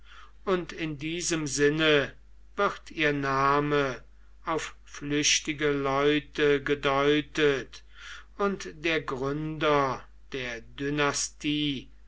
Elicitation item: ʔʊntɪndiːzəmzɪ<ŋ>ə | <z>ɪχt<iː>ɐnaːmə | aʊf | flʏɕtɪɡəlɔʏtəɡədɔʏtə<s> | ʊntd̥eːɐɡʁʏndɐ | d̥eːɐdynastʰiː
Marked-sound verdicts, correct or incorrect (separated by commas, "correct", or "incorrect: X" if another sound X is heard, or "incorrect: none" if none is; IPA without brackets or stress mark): incorrect: n, incorrect: v, correct, incorrect: t